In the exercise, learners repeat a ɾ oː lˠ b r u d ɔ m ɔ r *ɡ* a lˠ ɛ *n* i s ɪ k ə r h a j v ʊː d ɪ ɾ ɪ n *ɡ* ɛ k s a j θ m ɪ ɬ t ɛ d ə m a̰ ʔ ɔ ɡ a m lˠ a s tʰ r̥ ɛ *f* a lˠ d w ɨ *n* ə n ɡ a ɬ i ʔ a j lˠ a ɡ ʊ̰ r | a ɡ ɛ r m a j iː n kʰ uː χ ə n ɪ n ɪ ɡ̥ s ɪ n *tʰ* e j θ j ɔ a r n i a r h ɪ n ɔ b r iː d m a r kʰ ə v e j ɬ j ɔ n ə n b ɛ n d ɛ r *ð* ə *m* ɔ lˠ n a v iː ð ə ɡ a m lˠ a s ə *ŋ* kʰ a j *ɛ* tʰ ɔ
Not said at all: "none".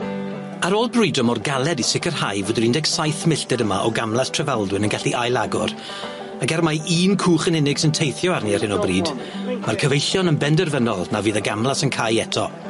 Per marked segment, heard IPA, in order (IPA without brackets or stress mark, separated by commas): ɡ, d, d, v, n, tʰ, v, n, n, ɛ